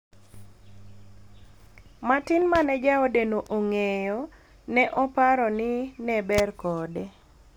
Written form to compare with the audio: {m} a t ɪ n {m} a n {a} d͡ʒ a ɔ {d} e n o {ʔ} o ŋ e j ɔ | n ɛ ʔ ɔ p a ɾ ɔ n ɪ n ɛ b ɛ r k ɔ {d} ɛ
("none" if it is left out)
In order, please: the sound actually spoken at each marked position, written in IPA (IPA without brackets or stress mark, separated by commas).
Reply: m, m, ɛ, d, ʔ, d